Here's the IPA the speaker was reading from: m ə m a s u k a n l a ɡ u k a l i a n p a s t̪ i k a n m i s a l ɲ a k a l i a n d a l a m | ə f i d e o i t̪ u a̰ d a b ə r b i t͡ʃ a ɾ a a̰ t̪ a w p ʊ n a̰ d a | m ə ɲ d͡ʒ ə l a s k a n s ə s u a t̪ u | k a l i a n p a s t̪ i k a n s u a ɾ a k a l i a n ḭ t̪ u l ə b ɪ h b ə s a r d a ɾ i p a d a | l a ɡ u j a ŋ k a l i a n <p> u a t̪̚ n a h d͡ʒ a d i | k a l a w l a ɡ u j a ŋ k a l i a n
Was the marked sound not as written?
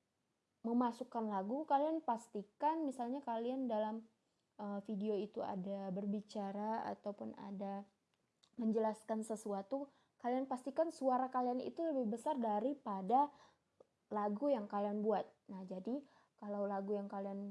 yes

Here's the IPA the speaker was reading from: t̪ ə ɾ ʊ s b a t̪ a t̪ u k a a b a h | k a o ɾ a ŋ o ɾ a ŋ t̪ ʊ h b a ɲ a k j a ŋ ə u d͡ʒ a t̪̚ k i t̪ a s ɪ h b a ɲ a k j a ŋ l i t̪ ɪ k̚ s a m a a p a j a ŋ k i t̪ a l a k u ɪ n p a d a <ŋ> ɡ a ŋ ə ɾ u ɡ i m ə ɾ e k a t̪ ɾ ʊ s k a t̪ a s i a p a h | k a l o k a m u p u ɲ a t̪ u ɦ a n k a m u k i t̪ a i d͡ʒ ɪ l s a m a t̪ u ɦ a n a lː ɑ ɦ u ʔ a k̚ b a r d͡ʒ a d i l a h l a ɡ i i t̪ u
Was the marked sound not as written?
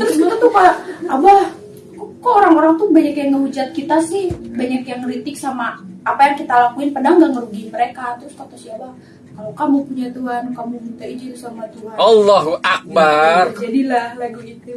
no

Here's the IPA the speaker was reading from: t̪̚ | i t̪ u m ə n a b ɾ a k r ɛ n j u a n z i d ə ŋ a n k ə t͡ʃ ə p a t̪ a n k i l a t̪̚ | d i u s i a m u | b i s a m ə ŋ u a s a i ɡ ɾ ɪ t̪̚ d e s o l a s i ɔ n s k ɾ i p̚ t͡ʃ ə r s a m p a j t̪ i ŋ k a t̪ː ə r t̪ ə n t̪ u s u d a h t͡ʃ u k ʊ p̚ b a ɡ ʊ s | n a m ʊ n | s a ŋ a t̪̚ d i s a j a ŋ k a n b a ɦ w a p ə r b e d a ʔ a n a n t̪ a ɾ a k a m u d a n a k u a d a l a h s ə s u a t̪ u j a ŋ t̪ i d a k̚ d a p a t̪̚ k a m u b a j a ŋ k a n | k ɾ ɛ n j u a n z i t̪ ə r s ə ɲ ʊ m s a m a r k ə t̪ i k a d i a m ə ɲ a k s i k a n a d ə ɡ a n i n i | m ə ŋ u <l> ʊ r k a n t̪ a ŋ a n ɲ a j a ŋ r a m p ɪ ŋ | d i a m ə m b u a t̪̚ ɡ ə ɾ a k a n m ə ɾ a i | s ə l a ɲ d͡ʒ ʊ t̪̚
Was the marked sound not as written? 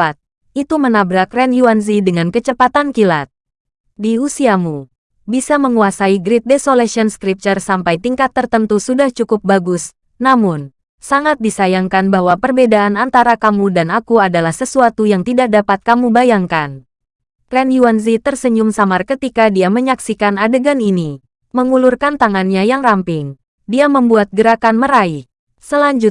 no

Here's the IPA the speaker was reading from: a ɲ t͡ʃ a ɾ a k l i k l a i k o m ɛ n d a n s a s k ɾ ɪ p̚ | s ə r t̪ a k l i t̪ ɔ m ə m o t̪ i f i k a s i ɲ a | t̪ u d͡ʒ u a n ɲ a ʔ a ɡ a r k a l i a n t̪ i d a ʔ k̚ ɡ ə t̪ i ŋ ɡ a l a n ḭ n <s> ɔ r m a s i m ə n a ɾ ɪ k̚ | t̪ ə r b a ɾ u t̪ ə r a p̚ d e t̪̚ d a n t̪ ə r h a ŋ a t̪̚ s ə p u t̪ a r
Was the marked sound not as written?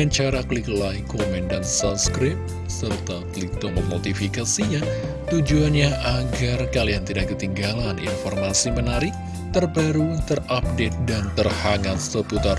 yes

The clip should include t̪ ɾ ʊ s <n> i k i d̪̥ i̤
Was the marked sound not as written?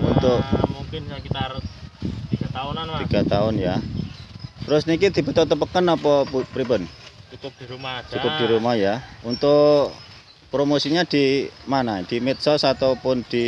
no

